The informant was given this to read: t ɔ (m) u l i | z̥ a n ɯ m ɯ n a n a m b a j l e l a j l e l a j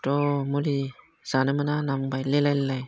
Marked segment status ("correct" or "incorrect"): correct